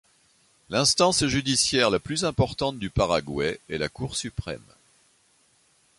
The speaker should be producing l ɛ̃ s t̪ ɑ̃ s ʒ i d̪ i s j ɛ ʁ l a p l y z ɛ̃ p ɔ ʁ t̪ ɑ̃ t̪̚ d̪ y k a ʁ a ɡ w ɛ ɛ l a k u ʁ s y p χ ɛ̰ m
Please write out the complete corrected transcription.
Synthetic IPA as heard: l ɛ̃ s t̪ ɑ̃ s ʒ y d̪ i s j ɛ ʁ l a p l y z ɛ̃ p ɔ ʁ t̪ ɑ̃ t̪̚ d̪ y p a ʁ a ɡ w ɛ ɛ l a k u ʁ s y p χ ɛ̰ m